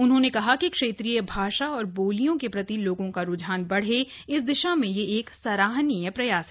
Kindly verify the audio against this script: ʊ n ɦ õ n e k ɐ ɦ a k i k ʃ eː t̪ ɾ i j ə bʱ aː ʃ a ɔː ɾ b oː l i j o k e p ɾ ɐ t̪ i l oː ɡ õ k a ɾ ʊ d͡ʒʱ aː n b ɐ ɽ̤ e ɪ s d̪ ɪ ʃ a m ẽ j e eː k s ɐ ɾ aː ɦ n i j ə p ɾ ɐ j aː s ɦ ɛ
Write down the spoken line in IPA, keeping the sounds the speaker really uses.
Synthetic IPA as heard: ʊ n ɦ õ n e k ɐ ɦ a k i k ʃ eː t̪ ɾ i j ə bʱ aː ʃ a ɔː ɾ b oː l i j õ k e p ɾ ɐ t̪ i l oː ɡ õ k a ɾ ʊ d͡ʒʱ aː n b ɐ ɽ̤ e ɪ s d̪ ɪ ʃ a m ẽ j e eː k s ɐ ɾ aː ɦ n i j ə p ɾ ɐ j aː s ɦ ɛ